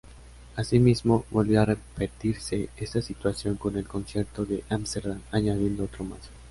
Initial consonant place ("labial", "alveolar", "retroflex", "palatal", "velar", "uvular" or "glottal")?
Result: alveolar